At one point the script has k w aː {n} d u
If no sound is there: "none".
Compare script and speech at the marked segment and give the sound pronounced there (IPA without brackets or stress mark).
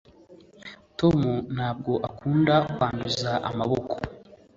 n